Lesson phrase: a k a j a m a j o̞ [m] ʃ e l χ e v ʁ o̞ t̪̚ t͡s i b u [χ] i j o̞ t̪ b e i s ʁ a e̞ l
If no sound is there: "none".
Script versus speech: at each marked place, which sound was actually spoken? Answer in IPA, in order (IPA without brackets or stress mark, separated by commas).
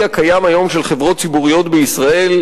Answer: m, ʁ